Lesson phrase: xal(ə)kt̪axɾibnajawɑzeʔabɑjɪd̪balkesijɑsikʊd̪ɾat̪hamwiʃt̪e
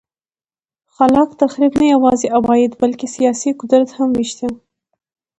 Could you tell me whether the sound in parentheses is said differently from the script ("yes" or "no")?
yes